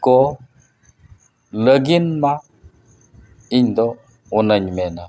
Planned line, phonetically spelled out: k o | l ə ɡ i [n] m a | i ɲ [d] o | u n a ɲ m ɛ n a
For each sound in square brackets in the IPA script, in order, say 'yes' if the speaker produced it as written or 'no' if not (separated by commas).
yes, yes